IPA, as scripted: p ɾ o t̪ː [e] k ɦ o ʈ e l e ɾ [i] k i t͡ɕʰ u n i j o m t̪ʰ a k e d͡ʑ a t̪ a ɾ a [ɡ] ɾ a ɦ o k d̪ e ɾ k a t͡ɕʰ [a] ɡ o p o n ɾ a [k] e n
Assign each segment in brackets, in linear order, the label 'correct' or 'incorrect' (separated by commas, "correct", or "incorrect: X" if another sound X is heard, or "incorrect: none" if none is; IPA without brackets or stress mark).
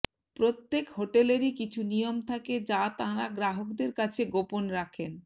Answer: correct, correct, correct, incorrect: e, incorrect: kʰ